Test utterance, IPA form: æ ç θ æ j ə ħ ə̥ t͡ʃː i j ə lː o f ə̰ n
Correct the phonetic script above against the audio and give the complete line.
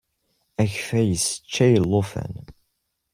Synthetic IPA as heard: æ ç f æ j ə s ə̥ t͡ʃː æ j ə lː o f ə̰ n